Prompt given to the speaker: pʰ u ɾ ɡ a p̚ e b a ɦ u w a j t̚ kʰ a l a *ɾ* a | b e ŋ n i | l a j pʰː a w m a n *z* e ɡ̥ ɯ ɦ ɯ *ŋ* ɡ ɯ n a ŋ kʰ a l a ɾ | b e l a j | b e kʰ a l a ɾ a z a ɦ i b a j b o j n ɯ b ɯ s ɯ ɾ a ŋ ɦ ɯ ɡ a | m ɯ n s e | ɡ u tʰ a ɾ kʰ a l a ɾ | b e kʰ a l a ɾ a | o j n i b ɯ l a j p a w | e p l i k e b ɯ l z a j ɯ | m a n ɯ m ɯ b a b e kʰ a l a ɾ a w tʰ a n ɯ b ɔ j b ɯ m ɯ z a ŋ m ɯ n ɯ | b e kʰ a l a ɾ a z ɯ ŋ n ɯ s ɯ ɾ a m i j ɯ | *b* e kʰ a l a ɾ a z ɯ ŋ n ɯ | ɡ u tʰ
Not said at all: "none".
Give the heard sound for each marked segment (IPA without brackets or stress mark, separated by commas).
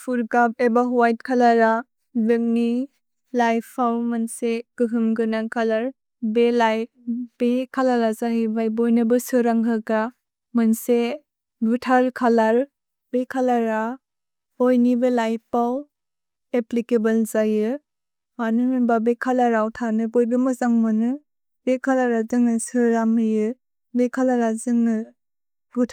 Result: ɾ, s, m, b